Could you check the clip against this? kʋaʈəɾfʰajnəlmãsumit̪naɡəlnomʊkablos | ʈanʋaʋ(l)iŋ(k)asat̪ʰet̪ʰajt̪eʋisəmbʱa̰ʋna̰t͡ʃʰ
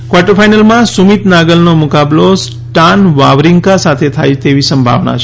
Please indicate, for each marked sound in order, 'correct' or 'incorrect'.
incorrect, correct

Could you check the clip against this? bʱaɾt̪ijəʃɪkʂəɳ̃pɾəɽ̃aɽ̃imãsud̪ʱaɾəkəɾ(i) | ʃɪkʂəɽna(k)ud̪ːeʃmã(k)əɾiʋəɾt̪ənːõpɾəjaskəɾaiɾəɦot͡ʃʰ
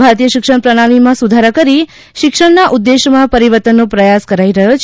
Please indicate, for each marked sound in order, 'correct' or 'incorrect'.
correct, incorrect, incorrect

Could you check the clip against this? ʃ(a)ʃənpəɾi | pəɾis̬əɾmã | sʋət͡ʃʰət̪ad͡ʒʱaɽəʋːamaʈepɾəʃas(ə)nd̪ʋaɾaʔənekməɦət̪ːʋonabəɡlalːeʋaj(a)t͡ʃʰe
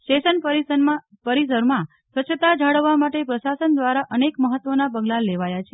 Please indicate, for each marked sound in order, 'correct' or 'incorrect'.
incorrect, correct, correct

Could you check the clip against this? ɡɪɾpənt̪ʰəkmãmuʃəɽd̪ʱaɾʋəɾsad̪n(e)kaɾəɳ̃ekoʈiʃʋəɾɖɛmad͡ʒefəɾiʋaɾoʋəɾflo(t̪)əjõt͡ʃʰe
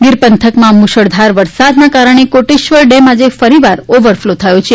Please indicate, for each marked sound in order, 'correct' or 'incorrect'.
incorrect, incorrect

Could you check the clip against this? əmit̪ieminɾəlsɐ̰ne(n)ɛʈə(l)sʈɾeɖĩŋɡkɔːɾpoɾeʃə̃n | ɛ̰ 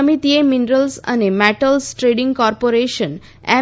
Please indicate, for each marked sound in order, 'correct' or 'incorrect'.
incorrect, correct

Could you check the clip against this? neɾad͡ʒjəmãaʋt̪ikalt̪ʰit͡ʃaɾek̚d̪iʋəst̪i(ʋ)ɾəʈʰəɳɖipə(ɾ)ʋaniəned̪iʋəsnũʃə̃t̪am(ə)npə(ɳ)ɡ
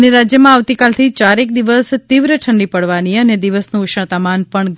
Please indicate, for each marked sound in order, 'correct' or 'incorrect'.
correct, incorrect, incorrect, correct

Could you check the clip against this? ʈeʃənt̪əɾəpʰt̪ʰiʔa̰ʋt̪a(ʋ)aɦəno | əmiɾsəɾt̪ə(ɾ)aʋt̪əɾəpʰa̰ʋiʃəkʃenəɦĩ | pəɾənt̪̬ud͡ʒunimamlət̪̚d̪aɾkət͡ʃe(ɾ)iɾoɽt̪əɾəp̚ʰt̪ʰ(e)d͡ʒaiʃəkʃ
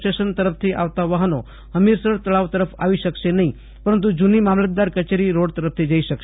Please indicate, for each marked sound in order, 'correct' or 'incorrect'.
correct, incorrect, correct, incorrect

